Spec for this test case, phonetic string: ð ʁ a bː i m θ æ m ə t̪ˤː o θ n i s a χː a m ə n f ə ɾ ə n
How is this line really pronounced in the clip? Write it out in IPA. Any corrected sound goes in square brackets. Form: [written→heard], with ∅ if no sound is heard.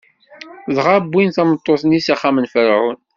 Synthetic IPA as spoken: ð ʁ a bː i [m→n] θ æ m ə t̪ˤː o θ n i s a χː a m ə n f ə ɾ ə n